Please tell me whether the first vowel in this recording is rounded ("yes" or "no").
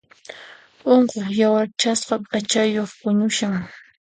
yes